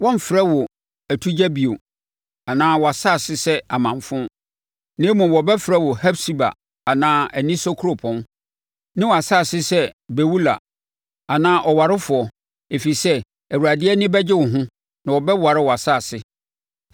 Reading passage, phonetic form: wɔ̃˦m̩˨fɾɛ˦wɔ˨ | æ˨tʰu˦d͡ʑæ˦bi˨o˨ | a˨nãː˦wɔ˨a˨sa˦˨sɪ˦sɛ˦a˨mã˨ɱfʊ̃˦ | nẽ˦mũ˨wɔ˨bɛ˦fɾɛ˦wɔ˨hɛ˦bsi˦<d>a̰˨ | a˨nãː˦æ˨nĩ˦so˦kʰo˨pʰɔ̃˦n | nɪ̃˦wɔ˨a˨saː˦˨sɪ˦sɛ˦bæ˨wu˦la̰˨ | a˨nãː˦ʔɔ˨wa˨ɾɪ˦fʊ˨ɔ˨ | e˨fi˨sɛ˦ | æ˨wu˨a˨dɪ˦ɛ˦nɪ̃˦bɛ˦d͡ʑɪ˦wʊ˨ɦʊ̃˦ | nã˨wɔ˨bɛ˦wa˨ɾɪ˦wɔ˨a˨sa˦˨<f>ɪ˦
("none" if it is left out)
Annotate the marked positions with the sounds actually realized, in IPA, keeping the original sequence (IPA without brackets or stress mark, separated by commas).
b, s